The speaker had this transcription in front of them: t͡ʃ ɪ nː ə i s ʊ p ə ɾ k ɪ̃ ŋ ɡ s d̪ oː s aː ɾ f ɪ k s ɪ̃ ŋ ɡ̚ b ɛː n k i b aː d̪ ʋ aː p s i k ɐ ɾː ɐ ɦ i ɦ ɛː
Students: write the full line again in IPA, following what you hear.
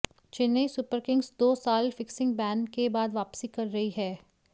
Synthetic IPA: t͡ʃ ɪ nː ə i s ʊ p ə ɾ k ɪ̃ ŋ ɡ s d̪ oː s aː l f ɪ k s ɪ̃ ŋ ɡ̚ b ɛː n k e b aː d̪ ʋ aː p s i k ɐ ɾː ɐ ɦ i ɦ ɛː